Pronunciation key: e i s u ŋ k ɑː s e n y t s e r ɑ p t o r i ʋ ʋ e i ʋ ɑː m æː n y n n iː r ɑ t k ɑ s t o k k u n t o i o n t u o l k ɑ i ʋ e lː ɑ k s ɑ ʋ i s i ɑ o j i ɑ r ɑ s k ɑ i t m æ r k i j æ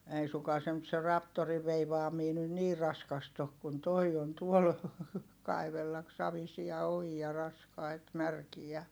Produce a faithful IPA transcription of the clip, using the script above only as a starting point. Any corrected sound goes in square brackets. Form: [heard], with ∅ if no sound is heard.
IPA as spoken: e i s u ŋ k ɑː s e n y t s e r ɑ p t o r i ʋ ʋ e i ʋ ɑː m [iː] n y n n iː r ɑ [s] k ɑ s t o k k u n t o i o n t u o l k ɑ i ʋ e lː ɑ k s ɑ ʋ i s i ɑ o j i ɑ r ɑ s k ɑ i t m æ r k i j æ